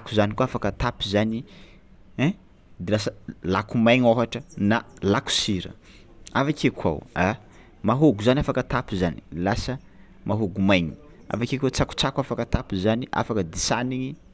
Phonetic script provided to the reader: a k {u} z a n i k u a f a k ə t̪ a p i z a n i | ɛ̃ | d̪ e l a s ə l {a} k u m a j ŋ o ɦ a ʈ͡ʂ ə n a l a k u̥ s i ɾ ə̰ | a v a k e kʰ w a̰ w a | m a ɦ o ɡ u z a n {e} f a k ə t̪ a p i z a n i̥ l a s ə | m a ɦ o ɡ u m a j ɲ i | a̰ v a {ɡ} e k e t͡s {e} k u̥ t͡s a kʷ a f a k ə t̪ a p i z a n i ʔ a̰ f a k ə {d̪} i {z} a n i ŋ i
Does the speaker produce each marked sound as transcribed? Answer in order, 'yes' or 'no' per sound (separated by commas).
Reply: yes, yes, no, no, no, yes, no